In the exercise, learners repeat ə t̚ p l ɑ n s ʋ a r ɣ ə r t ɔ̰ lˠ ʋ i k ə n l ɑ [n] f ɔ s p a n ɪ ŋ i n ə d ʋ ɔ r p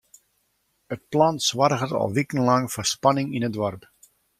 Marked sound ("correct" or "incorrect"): incorrect